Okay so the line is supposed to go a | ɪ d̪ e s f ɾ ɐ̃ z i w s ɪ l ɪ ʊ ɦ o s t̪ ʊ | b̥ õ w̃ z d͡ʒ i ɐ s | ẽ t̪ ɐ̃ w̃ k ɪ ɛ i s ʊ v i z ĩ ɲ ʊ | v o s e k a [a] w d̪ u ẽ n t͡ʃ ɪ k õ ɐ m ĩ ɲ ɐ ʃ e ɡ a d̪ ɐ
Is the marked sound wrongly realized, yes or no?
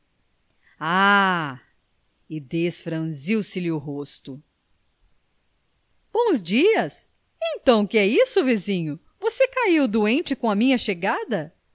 yes